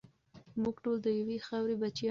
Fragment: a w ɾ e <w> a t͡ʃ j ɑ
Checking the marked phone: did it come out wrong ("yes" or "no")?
yes